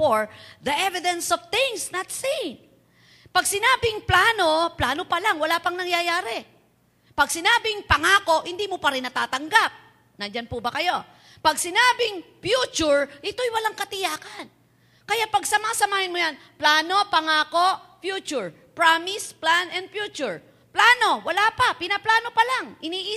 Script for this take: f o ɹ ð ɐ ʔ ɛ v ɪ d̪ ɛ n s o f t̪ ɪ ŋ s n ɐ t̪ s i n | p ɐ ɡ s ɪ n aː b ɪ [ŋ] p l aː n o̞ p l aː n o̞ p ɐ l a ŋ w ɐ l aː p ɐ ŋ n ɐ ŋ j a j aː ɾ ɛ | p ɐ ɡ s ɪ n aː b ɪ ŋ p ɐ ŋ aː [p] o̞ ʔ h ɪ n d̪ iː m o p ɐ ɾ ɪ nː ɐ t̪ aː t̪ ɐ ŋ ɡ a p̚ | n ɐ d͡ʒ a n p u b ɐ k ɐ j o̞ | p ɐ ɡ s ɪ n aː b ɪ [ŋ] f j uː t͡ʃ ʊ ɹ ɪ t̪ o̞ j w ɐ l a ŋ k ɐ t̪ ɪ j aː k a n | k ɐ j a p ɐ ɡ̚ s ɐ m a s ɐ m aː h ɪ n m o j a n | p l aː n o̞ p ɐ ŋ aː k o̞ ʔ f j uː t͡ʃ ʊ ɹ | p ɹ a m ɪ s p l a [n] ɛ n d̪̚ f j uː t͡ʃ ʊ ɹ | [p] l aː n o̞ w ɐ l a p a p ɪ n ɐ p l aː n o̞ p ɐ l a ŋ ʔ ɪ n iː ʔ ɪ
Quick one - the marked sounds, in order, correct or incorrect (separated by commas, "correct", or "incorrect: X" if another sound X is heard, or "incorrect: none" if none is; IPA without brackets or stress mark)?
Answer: correct, incorrect: k, correct, correct, correct